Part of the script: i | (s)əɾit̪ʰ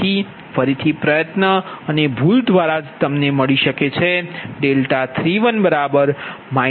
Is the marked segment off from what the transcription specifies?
yes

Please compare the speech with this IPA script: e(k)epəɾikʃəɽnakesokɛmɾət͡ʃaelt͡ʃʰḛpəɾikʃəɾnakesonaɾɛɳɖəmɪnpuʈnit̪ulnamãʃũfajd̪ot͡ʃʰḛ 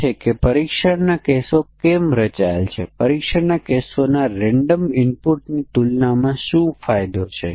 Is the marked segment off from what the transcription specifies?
no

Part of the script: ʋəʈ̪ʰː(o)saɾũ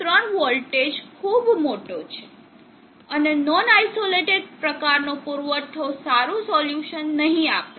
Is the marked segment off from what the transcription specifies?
no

